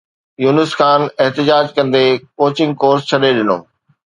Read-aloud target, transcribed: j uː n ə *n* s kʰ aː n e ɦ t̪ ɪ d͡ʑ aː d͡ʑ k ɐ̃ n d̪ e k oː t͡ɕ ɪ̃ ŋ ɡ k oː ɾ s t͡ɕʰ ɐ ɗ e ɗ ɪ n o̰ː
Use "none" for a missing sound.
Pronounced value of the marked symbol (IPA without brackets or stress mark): none